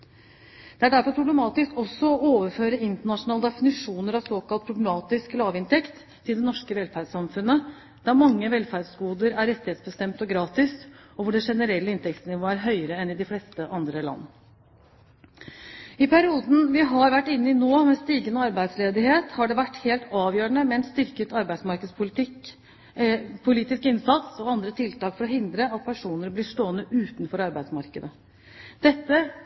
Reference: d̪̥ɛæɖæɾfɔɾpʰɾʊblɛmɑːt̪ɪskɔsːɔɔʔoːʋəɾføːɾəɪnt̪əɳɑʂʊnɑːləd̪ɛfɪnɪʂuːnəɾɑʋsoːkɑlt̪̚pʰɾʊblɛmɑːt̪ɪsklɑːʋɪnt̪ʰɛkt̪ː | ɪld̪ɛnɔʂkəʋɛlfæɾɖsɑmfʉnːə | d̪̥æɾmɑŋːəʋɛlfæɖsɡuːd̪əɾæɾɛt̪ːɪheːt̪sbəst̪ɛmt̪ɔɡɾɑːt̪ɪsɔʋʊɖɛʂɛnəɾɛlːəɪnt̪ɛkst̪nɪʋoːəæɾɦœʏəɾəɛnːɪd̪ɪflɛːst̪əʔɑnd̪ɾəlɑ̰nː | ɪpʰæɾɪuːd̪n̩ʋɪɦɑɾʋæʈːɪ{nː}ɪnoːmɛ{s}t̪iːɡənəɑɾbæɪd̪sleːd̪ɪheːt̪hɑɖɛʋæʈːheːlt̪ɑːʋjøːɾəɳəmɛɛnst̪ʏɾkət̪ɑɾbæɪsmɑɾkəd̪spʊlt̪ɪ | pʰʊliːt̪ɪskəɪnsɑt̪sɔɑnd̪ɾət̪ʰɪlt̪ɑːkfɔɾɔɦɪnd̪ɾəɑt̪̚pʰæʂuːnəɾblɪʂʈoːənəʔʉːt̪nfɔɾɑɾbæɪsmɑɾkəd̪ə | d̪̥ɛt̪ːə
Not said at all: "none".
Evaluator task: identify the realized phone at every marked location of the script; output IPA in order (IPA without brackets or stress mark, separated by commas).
nː, s